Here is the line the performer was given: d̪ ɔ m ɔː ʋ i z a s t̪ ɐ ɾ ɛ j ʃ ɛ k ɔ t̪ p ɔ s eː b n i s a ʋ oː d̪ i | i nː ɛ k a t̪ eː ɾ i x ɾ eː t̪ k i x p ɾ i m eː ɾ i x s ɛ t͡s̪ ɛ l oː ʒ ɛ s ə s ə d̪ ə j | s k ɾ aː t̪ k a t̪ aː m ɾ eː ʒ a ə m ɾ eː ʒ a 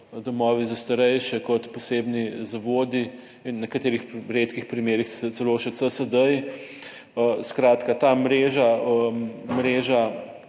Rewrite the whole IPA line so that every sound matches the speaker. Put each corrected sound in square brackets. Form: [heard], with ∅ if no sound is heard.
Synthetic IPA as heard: d̪ ɔ m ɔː ʋ i z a s t̪ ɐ ɾ ɛ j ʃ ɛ k ɔ t̪ p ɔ s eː b n i [z] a ʋ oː d̪ i | i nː ɛ k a t̪ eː ɾ i x ɾ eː t̪ k i x p ɾ i m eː ɾ i x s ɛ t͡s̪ ɛ l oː [ʃ] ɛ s ə s ə d̪ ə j | s k ɾ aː t̪ k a t̪ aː m ɾ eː ʒ a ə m ɾ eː ʒ a